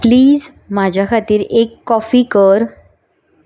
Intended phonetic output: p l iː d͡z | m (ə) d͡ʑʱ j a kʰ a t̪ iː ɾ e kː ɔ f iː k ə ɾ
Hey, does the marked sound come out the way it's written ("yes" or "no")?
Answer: no